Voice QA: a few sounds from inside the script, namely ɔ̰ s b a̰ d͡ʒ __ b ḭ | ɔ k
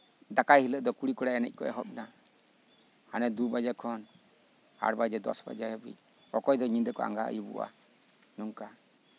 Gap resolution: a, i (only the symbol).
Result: a